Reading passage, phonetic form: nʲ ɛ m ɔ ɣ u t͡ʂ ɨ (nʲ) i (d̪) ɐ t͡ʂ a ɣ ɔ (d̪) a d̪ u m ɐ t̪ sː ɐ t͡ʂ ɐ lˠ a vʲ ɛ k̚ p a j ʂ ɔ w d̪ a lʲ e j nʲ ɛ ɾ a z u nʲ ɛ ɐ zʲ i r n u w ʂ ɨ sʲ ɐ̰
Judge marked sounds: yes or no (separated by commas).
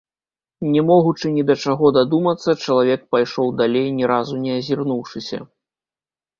yes, yes, yes